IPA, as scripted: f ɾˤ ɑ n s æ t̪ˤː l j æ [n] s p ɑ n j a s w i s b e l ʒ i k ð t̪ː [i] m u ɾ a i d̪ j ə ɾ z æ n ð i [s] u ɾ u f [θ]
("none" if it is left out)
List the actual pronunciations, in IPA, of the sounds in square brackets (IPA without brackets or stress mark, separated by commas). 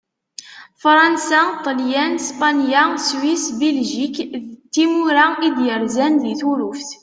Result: n, i, θ, θ